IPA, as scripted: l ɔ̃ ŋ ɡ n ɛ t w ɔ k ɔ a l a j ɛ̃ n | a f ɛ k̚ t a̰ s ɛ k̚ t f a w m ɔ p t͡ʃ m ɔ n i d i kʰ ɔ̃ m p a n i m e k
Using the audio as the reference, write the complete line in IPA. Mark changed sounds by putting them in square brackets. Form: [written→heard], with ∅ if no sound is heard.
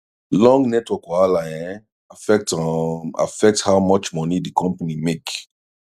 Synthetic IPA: l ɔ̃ ŋ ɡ n ɛ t w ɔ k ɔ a l a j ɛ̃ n | a f ɛ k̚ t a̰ [s→f] ɛ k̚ t [f→h] a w m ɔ [p→∅] t͡ʃ m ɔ n i d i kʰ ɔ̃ m p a n i m e k